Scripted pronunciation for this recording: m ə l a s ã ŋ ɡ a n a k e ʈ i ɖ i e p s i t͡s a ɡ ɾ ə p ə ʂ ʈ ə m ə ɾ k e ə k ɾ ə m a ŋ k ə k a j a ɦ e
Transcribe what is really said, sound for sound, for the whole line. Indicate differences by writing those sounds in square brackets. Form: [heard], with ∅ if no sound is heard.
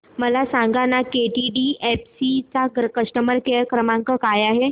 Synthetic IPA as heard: m ə l a s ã ŋ ɡ a n a k e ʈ i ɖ i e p s i t͡s a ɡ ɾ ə [k] ə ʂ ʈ ə m ə ɾ k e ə k ɾ ə m a ŋ k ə k a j a ɦ e